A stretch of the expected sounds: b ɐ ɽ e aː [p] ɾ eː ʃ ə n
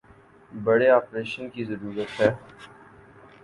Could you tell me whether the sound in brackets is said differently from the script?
no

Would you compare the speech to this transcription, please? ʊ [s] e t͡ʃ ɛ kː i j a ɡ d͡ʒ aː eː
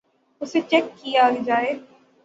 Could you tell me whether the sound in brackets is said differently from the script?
no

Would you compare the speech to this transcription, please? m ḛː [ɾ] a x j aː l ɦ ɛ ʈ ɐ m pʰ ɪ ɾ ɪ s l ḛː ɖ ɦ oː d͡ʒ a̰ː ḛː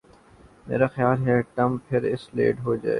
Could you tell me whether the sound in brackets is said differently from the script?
no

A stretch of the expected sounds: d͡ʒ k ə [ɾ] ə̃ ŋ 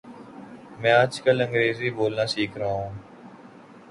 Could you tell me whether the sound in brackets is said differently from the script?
yes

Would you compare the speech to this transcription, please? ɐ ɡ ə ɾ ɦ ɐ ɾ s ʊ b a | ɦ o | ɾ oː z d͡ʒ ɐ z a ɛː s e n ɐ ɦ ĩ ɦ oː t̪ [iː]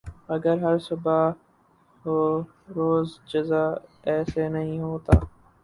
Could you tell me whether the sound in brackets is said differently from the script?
yes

